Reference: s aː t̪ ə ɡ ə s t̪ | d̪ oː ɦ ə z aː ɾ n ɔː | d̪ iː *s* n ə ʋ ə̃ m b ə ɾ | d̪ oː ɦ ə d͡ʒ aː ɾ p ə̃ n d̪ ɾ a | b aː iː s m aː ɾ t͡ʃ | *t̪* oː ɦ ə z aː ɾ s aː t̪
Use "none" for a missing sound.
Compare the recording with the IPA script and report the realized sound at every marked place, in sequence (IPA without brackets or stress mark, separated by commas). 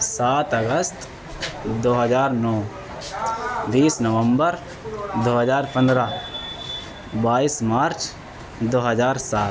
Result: s, d̪